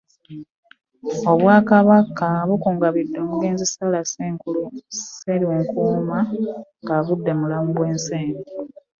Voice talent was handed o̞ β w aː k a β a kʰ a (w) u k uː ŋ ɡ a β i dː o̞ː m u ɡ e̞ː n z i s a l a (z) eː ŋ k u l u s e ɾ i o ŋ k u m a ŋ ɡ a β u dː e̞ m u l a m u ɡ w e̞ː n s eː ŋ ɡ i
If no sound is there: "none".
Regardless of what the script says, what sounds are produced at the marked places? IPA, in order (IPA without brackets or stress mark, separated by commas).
β, s